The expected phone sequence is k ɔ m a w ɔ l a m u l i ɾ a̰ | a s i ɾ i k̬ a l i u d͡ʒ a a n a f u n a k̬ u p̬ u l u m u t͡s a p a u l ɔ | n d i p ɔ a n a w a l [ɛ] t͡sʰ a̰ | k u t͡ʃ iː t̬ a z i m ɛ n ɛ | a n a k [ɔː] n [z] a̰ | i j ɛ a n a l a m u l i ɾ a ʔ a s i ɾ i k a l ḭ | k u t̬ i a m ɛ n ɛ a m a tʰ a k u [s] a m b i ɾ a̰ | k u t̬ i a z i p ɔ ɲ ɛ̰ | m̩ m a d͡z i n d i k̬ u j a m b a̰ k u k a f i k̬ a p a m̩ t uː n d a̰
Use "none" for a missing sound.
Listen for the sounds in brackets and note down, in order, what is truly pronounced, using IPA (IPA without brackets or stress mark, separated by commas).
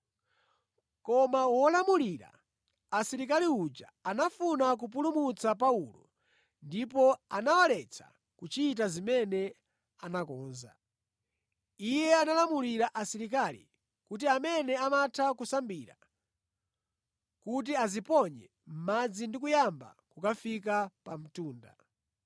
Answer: ɛ, ɔː, z, s